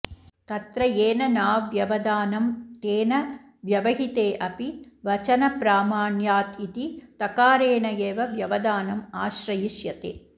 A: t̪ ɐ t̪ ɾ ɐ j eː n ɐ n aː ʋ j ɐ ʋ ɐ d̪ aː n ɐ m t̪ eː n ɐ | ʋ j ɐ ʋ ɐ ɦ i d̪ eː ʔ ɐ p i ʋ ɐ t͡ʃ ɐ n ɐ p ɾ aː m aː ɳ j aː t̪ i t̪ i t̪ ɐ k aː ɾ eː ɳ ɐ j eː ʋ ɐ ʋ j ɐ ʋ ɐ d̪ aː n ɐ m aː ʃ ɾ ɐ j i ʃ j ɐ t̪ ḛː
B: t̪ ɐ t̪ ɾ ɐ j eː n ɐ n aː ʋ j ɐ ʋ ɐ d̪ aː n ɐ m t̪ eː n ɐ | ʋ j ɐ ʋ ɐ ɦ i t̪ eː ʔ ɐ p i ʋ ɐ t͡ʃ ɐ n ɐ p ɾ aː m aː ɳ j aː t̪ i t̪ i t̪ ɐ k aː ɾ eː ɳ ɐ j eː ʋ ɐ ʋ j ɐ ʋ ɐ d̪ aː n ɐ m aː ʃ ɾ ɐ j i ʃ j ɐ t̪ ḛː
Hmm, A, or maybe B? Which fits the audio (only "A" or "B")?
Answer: B